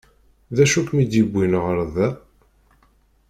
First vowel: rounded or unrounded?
unrounded